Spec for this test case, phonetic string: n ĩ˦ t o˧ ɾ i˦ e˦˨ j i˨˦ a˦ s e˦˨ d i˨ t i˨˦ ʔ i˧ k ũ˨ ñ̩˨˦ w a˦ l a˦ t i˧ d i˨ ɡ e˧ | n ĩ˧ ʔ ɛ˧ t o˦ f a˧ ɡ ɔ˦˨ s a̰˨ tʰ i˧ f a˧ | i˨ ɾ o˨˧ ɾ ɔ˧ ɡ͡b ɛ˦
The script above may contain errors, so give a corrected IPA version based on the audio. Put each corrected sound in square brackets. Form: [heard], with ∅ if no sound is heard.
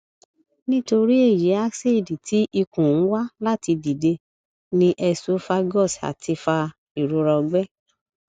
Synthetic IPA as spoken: n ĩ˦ t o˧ ɾ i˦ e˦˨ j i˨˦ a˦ s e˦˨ d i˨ t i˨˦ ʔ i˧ k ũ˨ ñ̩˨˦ w a˦ l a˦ t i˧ d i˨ [d] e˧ | n ĩ˧ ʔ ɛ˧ [s] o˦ f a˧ ɡ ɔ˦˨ s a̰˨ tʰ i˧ f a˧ | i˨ ɾ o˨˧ ɾ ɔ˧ ɡ͡b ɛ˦